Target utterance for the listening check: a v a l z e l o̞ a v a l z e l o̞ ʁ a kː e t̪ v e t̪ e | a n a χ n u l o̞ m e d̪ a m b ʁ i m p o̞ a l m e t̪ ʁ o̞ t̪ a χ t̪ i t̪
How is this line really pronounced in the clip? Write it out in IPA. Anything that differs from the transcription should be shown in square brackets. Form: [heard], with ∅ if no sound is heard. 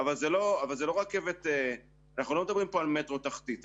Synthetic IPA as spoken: a v a l z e l o̞ a v a l z e l o̞ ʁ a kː e [∅] v e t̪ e | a n a χ n u l o̞ m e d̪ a [∅] b ʁ i m p o̞ a l m e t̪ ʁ o̞ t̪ a χ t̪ i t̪